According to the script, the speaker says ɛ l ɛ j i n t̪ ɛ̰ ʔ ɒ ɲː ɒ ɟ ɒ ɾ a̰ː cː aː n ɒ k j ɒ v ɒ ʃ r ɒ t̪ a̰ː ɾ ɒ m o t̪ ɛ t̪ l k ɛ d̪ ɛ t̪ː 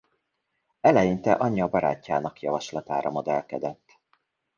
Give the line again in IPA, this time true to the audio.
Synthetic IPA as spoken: ɛ l ɛ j i n t̪ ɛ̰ ʔ ɒ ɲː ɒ b ɒ ɾ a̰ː cː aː n ɒ k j ɒ v ɒ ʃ l ɒ t̪ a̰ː ɾ ɒ m o d̪ ɛ l k ɛ d̪ ɛ t̪ː